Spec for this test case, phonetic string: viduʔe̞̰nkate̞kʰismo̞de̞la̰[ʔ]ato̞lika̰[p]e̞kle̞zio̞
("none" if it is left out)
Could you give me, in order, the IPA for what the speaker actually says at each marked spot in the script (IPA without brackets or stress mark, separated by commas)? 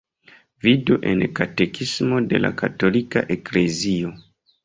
k, ʔ